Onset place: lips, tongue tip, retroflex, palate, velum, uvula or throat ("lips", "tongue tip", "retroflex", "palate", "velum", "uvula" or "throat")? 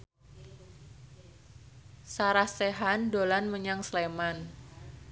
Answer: tongue tip